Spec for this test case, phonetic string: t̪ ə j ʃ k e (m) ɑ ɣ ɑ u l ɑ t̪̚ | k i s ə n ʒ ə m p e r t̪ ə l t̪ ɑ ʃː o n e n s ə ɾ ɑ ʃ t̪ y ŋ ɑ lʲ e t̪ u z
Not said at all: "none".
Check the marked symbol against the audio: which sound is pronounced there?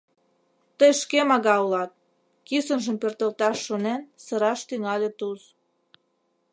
m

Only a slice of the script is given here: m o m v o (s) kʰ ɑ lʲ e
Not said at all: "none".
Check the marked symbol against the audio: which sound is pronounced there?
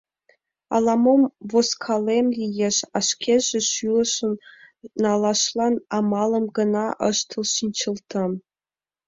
s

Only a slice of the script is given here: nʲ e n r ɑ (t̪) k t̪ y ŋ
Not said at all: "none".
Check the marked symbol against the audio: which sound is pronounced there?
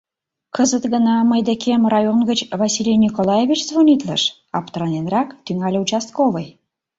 none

